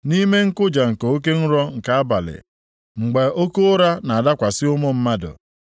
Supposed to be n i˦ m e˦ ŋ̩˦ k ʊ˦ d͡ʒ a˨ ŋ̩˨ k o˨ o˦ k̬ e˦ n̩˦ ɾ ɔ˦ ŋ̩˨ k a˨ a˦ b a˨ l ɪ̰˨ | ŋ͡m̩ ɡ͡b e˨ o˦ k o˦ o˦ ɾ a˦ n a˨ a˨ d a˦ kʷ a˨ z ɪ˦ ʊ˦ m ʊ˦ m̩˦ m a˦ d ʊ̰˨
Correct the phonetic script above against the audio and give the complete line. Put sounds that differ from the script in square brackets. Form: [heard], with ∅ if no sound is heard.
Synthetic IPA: n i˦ m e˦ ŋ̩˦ k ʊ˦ d͡ʒ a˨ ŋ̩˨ k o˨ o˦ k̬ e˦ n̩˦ ɾ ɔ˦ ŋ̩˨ k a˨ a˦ b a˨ l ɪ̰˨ | ŋ͡m̩ ɡ͡b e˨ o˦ k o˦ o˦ ɾ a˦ n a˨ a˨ d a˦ kʷ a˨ [s] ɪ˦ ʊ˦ m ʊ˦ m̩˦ m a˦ d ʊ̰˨